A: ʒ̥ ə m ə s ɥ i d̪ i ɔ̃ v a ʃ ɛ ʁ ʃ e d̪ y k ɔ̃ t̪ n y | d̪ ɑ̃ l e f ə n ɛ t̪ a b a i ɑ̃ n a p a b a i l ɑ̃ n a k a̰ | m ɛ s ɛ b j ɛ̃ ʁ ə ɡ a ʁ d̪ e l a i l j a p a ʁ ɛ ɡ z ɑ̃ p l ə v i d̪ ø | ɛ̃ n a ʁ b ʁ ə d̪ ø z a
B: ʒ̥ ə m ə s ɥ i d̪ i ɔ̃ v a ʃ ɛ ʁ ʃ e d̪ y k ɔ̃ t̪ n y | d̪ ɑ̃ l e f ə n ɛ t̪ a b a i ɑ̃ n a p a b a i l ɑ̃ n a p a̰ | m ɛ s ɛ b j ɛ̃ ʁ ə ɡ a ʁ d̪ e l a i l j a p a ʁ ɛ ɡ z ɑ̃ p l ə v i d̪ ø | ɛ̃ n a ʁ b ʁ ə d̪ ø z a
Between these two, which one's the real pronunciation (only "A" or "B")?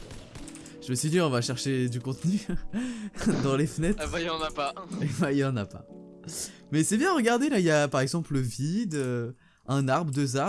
B